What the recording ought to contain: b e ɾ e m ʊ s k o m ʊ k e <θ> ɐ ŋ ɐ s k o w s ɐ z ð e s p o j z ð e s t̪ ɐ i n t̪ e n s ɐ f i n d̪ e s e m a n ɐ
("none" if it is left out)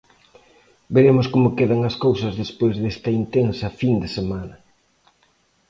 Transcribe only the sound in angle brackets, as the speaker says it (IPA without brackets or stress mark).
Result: ð